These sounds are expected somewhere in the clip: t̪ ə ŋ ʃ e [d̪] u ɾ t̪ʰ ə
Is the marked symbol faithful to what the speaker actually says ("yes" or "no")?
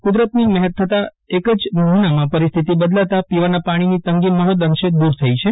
yes